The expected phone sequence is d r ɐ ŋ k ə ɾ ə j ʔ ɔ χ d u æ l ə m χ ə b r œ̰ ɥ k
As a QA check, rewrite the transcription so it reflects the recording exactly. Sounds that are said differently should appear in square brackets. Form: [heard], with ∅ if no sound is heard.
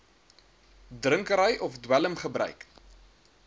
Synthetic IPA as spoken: d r [ə] ŋ k ə ɾ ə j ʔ ɔ [f] d [w] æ l ə m χ ə b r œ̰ ɥ k